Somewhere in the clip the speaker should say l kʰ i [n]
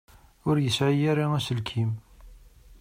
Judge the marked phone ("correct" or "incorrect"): incorrect